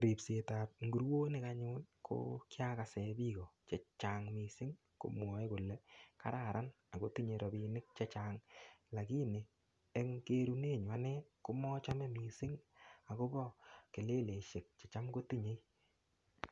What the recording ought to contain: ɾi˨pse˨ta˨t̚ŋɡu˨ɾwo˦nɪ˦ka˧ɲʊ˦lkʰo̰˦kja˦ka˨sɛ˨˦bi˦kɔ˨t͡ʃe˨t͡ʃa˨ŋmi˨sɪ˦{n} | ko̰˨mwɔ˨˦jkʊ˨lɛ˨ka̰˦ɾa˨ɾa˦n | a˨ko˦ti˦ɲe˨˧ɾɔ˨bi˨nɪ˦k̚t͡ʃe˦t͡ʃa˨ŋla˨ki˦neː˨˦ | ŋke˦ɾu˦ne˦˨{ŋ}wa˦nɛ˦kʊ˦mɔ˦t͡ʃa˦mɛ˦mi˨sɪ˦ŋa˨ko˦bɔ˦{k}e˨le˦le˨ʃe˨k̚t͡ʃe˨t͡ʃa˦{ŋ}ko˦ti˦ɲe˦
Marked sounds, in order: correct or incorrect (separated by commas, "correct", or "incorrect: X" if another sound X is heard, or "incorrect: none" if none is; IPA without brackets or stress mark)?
incorrect: ŋ, incorrect: ɲ, correct, incorrect: m